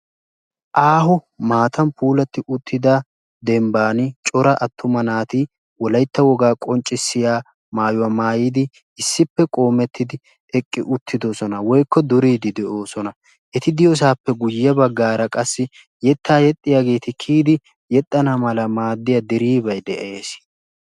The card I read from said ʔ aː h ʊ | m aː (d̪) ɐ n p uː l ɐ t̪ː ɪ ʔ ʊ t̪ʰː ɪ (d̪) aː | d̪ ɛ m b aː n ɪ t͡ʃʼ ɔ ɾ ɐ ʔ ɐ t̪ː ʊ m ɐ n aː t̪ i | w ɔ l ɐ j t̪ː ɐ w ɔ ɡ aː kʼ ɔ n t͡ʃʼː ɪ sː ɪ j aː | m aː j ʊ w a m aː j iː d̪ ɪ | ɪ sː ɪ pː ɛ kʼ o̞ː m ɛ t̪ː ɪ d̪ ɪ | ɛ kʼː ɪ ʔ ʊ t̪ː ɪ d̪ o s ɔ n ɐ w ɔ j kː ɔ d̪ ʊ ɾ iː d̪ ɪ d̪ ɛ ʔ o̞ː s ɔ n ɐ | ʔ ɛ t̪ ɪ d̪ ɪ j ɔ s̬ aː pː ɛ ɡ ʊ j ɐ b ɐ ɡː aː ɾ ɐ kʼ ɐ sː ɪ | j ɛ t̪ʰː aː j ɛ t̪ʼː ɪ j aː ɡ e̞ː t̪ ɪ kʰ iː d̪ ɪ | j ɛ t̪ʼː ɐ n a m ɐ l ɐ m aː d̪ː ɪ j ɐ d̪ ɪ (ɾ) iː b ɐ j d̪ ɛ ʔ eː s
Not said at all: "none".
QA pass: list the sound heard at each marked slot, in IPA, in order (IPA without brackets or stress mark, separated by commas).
t̪, d̪, ɾ